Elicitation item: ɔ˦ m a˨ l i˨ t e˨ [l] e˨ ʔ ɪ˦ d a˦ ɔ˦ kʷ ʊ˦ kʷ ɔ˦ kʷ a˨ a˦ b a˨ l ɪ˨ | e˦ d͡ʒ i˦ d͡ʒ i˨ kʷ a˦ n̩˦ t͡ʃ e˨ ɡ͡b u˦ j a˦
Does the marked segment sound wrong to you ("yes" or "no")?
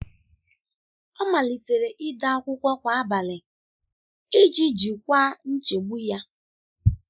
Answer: yes